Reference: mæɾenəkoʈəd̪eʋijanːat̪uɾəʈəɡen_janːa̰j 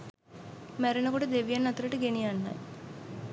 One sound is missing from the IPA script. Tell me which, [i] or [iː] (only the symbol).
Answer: i